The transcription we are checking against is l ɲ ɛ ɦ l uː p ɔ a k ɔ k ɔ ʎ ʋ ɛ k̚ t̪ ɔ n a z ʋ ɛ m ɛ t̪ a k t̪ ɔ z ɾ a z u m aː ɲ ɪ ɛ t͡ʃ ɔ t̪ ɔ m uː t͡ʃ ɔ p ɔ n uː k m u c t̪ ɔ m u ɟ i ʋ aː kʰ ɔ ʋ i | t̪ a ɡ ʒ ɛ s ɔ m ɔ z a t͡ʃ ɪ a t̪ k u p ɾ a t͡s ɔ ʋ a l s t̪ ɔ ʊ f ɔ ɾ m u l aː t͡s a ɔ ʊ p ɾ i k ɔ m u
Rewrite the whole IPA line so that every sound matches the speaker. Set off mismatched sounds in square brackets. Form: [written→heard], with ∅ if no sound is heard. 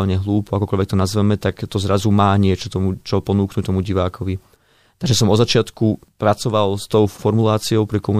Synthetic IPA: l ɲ ɛ ɦ l uː p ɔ a k ɔ k ɔ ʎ ʋ ɛ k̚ t̪ ɔ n a z ʋ ɛ m ɛ t̪ a k t̪ ɔ z ɾ a z u m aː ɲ ɪ ɛ t͡ʃ ɔ t̪ ɔ m [uː→u] t͡ʃ ɔ p ɔ n uː k [m→n] u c t̪ ɔ m u ɟ i ʋ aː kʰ ɔ ʋ i | t̪ a ɡ ʒ ɛ s ɔ m ɔ z a t͡ʃ ɪ a t̪ k u p ɾ a t͡s ɔ ʋ a l s t̪ ɔ ʊ f ɔ ɾ m u l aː t͡s [a→i] ɔ ʊ p ɾ i k ɔ m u